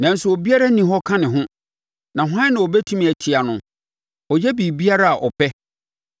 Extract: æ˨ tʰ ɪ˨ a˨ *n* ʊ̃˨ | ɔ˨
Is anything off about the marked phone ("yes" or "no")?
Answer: no